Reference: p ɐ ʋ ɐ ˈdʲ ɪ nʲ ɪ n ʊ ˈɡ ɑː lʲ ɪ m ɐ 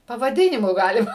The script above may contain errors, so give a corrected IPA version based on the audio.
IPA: p ɐ ʋ ɐ ˈdʲ ɪ nʲ ɪ m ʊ ˈɡ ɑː lʲ ɪ m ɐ

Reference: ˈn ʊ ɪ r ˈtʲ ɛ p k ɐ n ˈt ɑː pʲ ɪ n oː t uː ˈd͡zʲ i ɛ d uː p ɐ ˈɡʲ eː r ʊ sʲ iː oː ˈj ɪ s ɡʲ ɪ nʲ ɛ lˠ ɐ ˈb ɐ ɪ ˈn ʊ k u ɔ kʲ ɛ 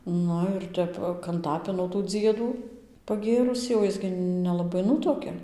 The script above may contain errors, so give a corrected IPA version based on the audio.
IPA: ˈn ʊ ɪ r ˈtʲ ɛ p k ɐ n ˈt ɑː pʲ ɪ n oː t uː ˈd͡zʲ i ɛ d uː p ɐ ˈɡʲ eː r ʊ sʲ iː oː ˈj ɪ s ɡʲ ɪ nʲ ɛ lˠ ɐ ˈb ɐ ɪ ˈn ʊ t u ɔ kʲ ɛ

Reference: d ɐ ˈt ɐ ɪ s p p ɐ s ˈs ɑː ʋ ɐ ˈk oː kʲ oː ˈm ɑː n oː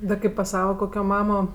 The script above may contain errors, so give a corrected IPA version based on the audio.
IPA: d ɐ ˈk ɐ ɪ p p ɐ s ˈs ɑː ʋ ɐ ˈk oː kʲ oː ˈm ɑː m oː

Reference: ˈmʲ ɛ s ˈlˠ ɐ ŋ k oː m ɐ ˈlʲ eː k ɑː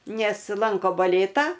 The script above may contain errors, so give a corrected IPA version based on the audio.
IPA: ˈnʲ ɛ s ˈlˠ ɐ ŋ k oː b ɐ ˈlʲ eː t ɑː

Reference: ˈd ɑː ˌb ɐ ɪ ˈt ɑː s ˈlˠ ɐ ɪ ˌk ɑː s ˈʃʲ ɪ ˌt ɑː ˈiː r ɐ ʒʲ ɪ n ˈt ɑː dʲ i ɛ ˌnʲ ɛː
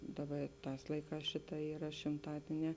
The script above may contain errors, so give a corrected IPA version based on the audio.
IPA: ˈd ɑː ˌb ɐ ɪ ˈt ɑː s ˈlˠ ɐ ɪ ˌk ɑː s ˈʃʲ ɪ ˌt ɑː ˈiː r ɐ ʃʲ ɪ m ˈt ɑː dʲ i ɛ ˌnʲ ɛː

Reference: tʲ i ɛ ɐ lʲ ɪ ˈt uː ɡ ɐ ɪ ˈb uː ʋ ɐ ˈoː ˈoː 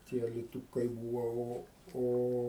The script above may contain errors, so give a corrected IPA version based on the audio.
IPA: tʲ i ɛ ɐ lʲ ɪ ˈt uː k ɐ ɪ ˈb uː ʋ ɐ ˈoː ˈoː

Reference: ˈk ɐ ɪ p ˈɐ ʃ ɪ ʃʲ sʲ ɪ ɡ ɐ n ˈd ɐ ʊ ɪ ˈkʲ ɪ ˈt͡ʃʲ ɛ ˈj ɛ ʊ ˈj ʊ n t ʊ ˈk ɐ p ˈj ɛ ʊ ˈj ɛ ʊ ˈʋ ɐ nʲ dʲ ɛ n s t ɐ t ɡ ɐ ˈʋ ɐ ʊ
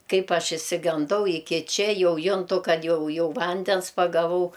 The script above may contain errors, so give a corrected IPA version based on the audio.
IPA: ˈk ɐ ɪ p ˈɐ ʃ ɪ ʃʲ sʲ ɪ ɡ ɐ n ˈd ɐ ʊ ɪ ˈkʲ ɪ ˈt͡ʃʲ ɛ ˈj ɛ ʊ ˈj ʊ n t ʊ ˈk ɐ t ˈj ɛ ʊ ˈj ɛ ʊ ˈʋ ɐ nʲ dʲ ɛ n s p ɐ ɡ ɐ ˈʋ ɐ ʊ

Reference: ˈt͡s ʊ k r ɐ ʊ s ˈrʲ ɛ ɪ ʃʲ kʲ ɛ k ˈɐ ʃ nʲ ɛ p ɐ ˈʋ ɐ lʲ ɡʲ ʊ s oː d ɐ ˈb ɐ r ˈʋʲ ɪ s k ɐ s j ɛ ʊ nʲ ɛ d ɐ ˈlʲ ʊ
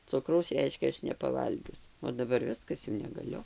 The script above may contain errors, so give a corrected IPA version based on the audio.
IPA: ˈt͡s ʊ k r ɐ ʊ s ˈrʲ ɛ ɪ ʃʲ kʲ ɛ ˈɐ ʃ nʲ ɛ p ɐ ˈʋ ɐ lʲ ɡʲ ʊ s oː d ɐ ˈb ɐ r ˈʋʲ ɪ s k ɐ s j ɛ ʊ nʲ ɛ ɡ ɐ ˈlʲ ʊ

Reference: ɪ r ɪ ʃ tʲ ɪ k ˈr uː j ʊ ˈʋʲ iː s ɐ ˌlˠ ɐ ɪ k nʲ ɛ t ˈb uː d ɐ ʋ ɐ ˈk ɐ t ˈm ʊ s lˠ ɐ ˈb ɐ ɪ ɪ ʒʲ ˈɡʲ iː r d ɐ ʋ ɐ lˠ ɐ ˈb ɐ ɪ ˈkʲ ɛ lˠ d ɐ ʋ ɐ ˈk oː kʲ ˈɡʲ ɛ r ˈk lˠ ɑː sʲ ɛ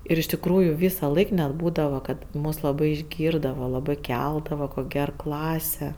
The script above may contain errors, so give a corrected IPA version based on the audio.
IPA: ɪ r ɪ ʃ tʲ ɪ k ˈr uː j ʊ ˈʋʲ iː s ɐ ˌlˠ ɐ ɪ k nʲ ɛ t ˈb uː d ɐ ʋ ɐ ˈk ɐ t ˈm ʊ s lˠ ɐ ˈb ɐ ɪ ɪ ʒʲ ˈɡʲ iː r d ɐ ʋ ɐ lˠ ɐ ˈb ɐ ɪ ˈkʲ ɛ lˠ d ɐ ʋ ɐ ˈk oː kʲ ˈɡʲ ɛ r ˈk lˠ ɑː sʲ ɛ

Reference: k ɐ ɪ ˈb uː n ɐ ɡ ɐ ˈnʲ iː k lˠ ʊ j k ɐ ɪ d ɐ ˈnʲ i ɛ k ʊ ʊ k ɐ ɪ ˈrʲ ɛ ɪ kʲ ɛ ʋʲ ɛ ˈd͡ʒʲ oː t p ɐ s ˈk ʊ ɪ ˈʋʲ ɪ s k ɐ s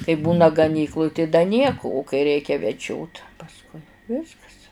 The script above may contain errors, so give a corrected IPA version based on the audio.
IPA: k ɐ ɪ ˈb uː n ɐ ɡ ɐ ˈnʲ iː k lˠ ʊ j t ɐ ɪ d ɐ ˈnʲ i ɛ k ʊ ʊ k ɐ ɪ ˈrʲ ɛ ɪ kʲ ɛ ʋʲ ɛ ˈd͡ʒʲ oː t p ɐ s ˈk ʊ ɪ ˈʋʲ ɪ s k ɐ s

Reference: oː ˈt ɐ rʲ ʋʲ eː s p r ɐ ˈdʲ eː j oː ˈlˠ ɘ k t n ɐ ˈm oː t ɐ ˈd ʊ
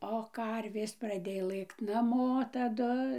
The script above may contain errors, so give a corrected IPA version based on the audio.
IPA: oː ˈk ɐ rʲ ʋʲ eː s p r ɐ ˈdʲ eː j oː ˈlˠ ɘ k t n ɐ ˈm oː t ɐ ˈd ʊ

